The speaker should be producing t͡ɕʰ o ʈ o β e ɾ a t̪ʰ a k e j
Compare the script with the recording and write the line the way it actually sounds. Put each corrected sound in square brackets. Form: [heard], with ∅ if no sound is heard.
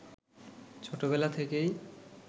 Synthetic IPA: t͡ɕʰ o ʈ o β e [l] a t̪ʰ [e] k e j